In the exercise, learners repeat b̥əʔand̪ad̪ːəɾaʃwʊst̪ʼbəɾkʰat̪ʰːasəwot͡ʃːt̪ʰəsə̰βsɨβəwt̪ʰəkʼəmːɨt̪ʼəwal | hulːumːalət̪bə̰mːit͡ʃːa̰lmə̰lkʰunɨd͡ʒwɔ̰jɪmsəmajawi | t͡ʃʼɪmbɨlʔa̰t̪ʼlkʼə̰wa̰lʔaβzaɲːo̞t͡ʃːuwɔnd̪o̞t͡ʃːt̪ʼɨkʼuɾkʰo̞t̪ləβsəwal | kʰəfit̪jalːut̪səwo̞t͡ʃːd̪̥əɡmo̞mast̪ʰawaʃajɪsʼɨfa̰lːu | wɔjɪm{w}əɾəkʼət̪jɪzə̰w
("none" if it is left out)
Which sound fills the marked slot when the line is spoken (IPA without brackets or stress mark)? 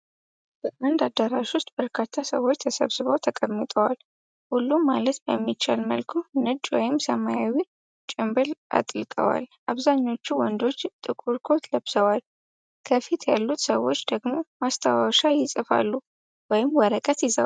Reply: w